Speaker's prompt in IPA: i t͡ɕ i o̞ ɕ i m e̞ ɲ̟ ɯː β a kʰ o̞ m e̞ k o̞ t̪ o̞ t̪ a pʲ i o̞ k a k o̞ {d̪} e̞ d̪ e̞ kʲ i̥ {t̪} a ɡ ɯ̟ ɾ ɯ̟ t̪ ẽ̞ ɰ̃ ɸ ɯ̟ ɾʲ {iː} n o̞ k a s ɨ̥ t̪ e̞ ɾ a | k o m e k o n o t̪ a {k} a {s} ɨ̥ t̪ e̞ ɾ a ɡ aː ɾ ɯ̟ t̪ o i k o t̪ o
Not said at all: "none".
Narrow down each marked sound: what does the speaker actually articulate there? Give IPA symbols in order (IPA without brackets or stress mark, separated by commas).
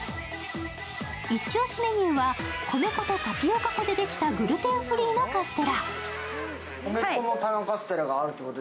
d̪, t̪, iː, k, s